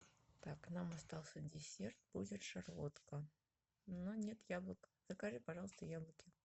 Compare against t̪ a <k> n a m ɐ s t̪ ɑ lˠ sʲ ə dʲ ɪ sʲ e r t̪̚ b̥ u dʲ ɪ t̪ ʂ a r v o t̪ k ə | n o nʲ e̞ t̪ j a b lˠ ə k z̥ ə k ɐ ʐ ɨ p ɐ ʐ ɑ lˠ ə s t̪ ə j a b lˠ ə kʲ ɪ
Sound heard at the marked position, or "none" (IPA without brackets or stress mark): k